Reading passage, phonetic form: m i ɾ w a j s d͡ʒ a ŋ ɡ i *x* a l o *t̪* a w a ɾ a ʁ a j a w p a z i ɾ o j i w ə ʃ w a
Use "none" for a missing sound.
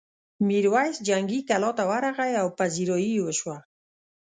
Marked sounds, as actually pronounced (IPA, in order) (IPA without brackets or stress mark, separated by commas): k, t̪